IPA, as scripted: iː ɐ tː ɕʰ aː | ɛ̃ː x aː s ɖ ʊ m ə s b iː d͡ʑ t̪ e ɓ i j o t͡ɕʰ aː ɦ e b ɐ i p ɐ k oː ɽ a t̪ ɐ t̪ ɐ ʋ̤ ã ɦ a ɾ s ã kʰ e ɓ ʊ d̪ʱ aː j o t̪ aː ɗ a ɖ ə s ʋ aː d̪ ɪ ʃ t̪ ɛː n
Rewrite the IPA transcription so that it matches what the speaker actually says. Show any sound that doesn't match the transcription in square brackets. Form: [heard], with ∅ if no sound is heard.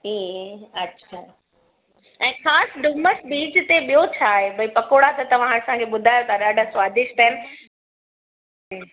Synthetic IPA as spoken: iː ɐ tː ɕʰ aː | ɛ̃ː x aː s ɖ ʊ m ə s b iː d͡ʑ t̪ e ɓ i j o t͡ɕʰ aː ɦ e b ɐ i p ɐ k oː ɽ a t̪ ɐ t̪ ɐ ʋ̤ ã ɦ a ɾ s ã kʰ e ɓ ʊ d̪ʱ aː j o t̪ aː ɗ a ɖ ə s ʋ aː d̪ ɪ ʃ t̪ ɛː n